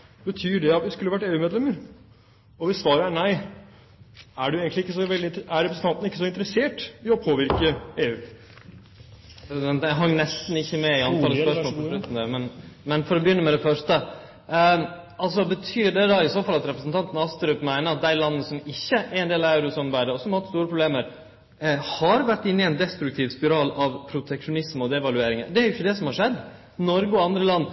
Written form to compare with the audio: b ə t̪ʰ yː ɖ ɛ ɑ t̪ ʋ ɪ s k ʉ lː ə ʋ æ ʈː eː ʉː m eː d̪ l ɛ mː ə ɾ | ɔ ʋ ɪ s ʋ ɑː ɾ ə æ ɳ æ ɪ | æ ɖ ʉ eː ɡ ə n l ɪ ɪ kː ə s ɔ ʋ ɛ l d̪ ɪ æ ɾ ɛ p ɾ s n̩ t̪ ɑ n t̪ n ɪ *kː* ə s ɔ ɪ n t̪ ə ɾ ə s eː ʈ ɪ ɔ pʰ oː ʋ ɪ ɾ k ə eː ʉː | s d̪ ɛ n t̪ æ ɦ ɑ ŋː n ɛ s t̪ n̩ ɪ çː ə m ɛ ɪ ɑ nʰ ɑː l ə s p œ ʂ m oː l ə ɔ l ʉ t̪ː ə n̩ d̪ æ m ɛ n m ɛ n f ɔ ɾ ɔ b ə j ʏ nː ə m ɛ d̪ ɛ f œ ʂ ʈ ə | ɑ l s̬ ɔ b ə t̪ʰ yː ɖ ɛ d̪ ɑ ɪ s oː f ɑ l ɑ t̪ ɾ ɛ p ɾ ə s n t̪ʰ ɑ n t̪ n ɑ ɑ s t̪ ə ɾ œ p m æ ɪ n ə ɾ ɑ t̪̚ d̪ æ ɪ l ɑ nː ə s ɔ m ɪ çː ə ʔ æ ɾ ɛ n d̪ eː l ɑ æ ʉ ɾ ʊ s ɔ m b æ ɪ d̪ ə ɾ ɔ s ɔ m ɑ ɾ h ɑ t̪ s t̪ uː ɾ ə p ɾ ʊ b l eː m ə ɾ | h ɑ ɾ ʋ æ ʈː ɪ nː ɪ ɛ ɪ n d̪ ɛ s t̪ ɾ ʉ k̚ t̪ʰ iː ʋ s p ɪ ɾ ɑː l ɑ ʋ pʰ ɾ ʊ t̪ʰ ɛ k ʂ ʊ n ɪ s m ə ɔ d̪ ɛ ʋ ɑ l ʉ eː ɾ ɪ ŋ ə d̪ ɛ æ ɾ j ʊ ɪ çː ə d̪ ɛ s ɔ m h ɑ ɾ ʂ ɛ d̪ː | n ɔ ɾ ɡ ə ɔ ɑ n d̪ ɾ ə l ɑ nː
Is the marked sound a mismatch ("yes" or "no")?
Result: no